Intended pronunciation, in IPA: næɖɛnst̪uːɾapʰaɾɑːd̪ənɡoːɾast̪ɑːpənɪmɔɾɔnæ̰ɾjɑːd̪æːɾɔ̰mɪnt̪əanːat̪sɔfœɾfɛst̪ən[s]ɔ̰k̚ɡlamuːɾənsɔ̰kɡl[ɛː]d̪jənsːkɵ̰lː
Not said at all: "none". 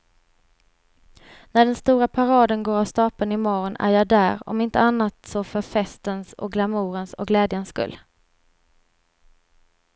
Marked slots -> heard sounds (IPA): s, ɛː

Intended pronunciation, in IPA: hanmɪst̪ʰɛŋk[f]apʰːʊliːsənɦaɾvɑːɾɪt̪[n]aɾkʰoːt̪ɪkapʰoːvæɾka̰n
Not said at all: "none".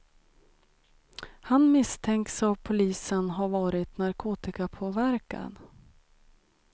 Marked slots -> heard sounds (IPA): s, n

